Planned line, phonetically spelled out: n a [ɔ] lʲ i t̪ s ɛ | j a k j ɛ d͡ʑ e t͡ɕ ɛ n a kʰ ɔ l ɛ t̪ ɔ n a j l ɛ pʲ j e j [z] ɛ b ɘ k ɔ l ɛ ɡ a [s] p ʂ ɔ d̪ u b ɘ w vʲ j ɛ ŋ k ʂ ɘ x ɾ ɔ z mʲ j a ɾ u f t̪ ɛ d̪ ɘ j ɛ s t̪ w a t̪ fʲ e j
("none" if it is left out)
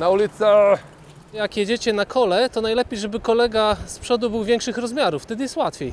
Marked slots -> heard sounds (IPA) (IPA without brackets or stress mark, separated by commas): u, ʐ, s